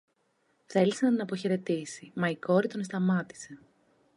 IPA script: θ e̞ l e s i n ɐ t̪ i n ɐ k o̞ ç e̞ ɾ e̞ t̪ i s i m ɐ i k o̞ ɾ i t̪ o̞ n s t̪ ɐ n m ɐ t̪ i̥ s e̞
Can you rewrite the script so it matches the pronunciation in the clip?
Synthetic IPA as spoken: θ e̞ l i s e n ɐ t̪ i n ɐ p o̞ ç e̞ ɾ e̞ t̪ i s i m ɐ i k o̞ ɾ i t̪ o̞ n s t̪ ɐ m ɐ t̪ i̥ s e̞

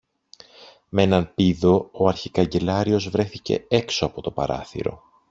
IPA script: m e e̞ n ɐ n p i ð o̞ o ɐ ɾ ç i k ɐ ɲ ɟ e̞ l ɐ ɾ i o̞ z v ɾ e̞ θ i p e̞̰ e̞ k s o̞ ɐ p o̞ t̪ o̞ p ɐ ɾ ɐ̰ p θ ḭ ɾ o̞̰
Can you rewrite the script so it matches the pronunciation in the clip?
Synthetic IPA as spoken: m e e̞ n ɐ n p i ð o̞ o ɐ ɾ ç i k ɐ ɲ ɟ e̞ l ɐ ɾ i o̞ z v ɾ e̞ θ i c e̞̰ e̞ k s o̞ ɐ p o̞ t̪ o̞ p ɐ ɾ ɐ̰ θ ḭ ɾ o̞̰

